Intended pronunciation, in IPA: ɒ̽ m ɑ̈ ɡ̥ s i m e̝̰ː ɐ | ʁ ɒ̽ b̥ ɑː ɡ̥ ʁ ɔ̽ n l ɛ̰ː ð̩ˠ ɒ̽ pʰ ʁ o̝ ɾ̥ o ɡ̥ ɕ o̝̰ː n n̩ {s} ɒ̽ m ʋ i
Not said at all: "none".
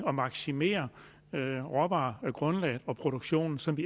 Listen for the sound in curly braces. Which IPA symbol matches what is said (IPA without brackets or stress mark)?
s